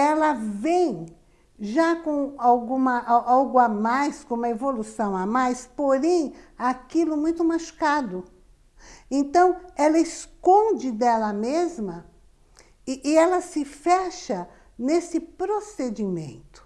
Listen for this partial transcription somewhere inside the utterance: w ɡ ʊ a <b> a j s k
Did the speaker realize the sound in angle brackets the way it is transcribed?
no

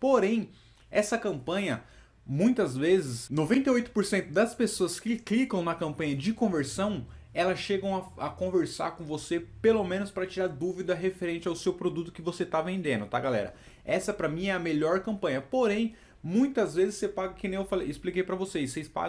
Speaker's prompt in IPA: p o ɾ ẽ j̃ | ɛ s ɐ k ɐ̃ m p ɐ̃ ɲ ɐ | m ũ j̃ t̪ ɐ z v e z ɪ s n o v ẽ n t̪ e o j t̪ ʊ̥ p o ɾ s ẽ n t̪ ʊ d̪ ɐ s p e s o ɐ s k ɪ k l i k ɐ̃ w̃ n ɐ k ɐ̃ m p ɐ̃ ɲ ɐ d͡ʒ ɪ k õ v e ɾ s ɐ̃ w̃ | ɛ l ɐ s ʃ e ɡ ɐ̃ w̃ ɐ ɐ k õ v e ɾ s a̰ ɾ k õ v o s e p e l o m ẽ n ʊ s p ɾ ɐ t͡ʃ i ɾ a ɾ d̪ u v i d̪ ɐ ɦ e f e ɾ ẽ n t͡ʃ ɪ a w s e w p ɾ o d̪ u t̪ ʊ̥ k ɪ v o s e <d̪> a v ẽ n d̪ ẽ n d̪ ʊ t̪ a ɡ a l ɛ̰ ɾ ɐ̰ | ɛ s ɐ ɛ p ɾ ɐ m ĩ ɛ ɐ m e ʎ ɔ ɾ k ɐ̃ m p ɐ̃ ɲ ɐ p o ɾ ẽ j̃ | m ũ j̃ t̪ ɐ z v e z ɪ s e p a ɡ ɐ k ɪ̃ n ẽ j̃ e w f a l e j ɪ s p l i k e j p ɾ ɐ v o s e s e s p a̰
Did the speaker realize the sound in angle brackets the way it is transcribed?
no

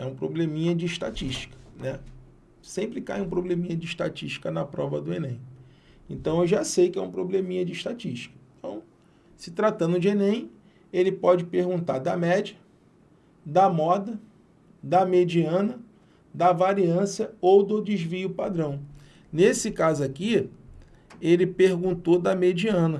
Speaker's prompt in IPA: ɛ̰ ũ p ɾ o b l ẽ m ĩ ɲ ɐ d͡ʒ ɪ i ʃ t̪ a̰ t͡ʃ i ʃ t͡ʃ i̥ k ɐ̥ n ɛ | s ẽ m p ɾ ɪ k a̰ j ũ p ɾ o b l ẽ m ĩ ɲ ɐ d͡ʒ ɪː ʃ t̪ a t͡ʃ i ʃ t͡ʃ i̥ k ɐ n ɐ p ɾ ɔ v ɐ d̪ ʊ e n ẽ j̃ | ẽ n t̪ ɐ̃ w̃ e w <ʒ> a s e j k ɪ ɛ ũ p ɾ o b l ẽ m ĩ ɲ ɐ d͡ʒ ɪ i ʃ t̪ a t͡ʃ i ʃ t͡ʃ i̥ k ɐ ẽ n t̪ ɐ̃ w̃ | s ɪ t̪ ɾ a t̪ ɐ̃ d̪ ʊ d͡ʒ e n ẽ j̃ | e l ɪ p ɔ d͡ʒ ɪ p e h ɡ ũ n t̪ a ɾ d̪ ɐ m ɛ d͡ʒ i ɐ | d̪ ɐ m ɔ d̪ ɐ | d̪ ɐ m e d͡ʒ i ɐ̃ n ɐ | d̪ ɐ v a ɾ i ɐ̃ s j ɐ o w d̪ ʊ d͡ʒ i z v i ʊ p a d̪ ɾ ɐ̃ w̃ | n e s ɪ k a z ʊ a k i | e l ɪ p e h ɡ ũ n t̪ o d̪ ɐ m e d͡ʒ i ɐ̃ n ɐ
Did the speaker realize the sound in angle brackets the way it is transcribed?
yes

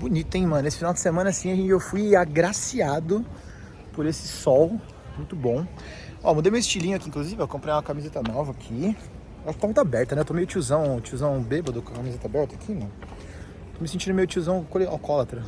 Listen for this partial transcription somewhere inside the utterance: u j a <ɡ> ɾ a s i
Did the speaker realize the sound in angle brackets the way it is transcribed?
yes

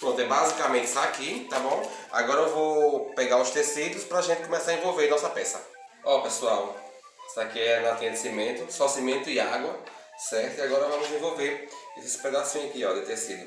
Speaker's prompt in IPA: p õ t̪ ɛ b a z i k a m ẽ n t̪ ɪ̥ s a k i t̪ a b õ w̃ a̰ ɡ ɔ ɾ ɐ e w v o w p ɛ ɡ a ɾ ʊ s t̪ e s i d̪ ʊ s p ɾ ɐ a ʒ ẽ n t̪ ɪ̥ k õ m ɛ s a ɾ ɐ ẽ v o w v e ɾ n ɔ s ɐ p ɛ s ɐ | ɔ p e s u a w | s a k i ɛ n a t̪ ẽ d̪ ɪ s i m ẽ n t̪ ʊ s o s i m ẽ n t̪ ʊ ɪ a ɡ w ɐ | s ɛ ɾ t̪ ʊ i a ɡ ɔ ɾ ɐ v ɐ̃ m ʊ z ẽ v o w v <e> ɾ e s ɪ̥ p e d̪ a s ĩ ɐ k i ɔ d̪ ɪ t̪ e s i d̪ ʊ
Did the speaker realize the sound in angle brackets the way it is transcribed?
yes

